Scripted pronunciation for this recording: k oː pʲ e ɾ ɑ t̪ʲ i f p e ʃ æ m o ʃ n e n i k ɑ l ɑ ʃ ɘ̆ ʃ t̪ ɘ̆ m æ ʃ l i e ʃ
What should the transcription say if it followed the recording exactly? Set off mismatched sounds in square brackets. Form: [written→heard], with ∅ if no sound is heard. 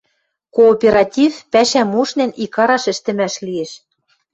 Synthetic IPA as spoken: k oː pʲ e ɾ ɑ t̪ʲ i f p [e→æ] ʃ æ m [o→u] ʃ n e n i k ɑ [l→ɾ] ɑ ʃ ɘ̆ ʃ t̪ ɘ̆ m æ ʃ l i e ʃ